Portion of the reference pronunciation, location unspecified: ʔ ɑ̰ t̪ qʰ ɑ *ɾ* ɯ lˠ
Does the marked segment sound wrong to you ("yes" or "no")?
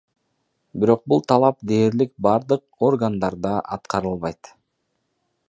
no